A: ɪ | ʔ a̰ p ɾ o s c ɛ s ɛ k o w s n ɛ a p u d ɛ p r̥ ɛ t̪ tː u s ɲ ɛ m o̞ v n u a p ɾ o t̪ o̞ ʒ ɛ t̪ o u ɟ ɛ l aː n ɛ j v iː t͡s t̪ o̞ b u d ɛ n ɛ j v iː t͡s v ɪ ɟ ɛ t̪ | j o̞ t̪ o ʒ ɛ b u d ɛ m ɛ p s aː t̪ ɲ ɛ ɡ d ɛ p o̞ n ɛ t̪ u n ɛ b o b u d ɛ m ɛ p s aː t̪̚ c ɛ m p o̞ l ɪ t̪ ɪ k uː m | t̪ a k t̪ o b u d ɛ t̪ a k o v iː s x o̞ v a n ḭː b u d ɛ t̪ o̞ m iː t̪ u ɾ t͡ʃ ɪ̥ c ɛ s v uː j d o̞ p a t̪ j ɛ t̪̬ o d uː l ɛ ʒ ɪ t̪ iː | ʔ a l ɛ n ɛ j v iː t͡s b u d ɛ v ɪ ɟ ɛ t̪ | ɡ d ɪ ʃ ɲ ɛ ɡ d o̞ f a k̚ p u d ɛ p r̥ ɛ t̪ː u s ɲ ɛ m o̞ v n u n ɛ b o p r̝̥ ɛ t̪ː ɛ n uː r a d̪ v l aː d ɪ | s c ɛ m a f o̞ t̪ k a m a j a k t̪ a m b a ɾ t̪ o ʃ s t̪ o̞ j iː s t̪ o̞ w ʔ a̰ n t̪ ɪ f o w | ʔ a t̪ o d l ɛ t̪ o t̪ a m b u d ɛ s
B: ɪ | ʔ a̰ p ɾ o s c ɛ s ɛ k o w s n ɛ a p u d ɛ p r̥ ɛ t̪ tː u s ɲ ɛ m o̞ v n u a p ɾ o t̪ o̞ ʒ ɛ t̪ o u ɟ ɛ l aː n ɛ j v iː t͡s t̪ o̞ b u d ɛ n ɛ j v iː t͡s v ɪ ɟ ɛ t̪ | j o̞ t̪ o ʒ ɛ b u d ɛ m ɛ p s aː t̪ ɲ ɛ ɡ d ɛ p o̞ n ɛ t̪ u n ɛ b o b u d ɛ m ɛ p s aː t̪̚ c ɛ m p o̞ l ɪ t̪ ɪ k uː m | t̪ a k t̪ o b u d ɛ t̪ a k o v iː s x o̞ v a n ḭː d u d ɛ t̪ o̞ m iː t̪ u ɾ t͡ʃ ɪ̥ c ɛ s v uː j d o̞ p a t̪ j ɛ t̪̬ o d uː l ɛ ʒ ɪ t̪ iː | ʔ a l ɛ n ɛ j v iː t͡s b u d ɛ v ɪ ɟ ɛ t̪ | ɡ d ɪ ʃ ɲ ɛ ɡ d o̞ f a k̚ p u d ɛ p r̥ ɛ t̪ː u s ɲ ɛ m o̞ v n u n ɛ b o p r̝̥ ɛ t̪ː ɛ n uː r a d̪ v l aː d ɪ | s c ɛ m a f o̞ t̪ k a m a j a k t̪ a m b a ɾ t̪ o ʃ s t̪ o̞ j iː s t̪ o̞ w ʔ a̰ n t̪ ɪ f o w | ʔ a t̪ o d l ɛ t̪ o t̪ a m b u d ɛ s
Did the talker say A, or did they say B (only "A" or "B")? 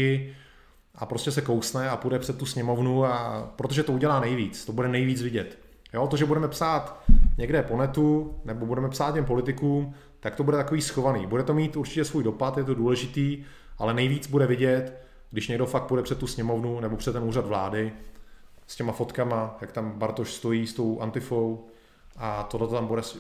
A